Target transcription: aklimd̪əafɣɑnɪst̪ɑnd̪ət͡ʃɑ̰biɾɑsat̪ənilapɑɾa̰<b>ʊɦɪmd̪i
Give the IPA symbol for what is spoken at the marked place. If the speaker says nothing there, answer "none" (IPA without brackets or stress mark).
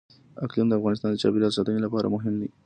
m